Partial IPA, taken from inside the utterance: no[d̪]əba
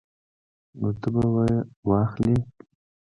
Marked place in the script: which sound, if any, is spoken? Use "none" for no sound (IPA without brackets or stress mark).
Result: t̪